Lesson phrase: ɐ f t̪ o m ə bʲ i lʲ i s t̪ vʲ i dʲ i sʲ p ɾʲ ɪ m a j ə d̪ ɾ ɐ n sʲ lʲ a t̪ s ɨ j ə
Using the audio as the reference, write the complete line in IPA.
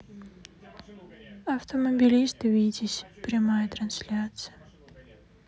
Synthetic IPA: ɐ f t̪ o m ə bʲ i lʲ i s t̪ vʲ i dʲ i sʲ p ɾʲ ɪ m a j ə t̪ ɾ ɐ n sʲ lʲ a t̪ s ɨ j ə